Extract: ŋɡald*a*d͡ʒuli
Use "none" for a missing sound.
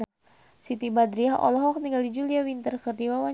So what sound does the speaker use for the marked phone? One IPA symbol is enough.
i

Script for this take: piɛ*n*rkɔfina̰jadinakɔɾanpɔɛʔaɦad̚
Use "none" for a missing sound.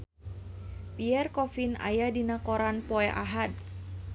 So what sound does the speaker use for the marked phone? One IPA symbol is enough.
none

